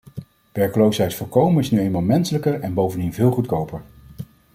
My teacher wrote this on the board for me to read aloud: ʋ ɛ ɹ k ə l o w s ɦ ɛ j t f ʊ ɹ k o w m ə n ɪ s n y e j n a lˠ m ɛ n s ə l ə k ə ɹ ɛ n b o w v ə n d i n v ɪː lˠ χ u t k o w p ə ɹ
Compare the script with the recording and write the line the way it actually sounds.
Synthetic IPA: ʋ ɛ ɹ k ə l o w s ɦ ɛ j t f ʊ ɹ k o w m ə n ɪ s n y e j m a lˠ m ɛ n s ə l ə k ə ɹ ɛ n b o w v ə n d i n v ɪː lˠ χ u t k o w p ə ɹ